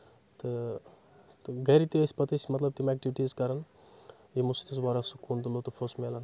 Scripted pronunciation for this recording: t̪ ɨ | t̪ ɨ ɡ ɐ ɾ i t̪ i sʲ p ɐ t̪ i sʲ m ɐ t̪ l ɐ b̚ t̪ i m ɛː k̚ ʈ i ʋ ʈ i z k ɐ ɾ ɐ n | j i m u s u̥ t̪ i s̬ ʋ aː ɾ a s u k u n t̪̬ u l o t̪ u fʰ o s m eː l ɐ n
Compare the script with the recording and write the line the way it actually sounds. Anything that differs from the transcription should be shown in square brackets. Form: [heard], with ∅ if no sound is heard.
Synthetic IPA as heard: t̪ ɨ | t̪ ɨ ɡ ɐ ɾ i t̪ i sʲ p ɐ t̪ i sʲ m ɐ t̪ l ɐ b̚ t̪ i m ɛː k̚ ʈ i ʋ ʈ i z k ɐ ɾ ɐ n | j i m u s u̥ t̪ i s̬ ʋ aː ɾ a s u k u n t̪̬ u l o t̪ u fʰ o s m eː l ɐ n